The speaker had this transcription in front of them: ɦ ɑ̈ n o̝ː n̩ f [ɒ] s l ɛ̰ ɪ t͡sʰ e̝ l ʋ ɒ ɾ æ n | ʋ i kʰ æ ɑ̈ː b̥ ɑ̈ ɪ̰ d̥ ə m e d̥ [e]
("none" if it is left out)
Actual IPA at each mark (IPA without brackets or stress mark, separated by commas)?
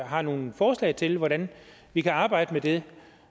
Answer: ɒː, e